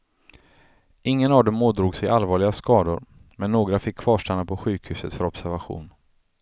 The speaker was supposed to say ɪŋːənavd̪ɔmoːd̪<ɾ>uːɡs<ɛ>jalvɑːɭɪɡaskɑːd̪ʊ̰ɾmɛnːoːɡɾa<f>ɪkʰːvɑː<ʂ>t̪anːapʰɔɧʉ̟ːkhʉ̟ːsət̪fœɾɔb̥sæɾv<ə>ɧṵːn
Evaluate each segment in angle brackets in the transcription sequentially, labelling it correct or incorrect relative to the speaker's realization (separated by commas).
correct, correct, correct, correct, incorrect